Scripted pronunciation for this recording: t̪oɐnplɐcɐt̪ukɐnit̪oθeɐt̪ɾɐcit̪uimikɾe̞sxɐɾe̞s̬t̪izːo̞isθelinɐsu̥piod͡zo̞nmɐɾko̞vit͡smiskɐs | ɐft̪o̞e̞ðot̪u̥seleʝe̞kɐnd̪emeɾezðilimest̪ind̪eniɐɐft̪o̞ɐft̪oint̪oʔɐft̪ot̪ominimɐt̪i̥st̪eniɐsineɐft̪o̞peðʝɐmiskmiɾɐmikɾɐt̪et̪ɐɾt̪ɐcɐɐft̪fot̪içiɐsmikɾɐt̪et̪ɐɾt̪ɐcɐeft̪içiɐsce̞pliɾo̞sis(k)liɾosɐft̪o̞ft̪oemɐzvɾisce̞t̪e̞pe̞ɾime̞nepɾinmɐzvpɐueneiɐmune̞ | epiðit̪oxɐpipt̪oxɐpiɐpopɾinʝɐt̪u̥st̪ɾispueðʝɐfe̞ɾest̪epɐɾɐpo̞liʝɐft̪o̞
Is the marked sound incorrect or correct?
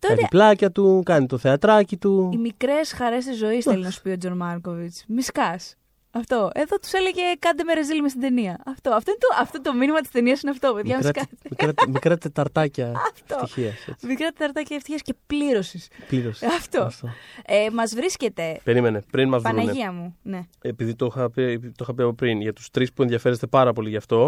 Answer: incorrect